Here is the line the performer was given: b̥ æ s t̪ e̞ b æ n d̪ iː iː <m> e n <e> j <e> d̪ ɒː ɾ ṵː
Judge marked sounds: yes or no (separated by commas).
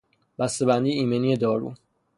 yes, no, yes